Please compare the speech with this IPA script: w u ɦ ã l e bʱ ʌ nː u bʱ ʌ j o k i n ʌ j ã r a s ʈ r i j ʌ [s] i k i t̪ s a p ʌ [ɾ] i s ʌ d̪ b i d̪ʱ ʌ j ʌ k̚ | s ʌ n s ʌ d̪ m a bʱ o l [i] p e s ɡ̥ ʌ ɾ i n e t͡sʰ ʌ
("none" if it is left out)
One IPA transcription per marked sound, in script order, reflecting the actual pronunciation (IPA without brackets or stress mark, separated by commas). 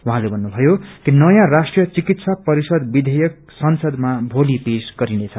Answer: t͡s, ɾ, i